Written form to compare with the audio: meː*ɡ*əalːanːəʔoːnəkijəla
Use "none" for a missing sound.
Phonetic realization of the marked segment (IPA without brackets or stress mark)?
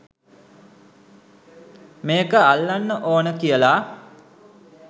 k